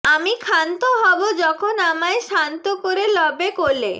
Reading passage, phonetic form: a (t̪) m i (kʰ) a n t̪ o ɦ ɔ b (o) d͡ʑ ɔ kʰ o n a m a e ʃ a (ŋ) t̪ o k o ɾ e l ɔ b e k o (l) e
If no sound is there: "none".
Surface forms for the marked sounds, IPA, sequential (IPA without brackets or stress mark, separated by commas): none, kʰ, o, n, l